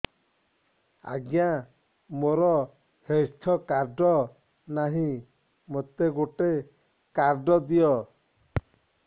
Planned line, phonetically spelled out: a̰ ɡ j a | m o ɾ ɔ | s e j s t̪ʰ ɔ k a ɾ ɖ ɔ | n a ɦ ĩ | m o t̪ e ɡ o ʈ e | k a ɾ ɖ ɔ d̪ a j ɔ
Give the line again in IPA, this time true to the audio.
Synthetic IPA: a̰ ɡ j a | m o ɾ ɔ | h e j s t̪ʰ ɔ k a ɾ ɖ ɔ | n a ɦ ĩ | m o t̪ e ɡ o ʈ e | k a ɾ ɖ ɔ d̪ i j ɔ